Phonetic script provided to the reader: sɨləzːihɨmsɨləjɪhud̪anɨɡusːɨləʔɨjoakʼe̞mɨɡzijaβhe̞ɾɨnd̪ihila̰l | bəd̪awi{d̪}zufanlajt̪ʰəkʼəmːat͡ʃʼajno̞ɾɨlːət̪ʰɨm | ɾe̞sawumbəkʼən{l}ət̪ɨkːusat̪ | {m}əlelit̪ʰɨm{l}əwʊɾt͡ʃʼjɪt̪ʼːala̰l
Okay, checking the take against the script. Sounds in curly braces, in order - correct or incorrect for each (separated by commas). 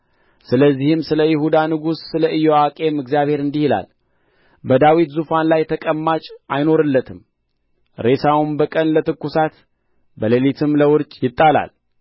incorrect, correct, incorrect, correct